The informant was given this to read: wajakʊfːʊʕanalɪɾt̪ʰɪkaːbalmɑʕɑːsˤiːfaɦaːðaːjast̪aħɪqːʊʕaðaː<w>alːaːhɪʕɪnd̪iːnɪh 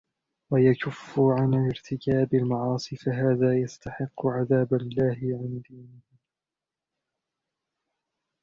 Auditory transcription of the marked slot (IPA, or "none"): b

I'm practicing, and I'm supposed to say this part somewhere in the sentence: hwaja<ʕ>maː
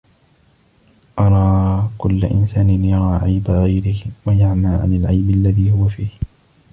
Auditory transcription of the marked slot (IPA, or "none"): ʕ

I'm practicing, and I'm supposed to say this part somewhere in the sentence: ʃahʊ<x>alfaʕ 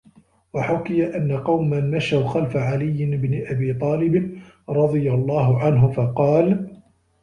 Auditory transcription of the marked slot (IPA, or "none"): x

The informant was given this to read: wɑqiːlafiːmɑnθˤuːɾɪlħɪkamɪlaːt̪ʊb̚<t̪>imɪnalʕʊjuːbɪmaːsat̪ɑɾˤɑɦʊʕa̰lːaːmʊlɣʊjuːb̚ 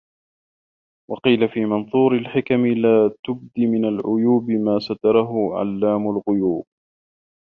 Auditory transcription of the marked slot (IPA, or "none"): d̪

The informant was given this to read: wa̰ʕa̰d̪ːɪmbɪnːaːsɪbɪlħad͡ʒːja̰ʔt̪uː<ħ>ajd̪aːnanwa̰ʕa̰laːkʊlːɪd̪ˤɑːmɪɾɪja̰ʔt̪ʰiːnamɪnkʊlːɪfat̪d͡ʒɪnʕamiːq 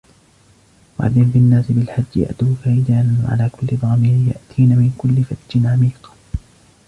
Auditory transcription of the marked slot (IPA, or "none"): f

